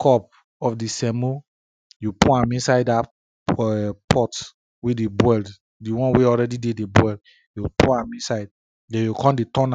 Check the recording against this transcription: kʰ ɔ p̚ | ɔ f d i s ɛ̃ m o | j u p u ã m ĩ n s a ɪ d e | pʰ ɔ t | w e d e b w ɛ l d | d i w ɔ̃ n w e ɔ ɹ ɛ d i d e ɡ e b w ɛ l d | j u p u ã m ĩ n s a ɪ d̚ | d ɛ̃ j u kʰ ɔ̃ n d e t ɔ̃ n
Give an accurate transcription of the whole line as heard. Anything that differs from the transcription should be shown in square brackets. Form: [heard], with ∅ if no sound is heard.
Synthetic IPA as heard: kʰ ɔ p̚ | ɔ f d i s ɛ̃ m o | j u p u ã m ĩ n s a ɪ d [a] | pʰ ɔ t | w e d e b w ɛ l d | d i w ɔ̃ n w e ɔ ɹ ɛ d i d e [d] e b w ɛ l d | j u p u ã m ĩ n s a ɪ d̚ | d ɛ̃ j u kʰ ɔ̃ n d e t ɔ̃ n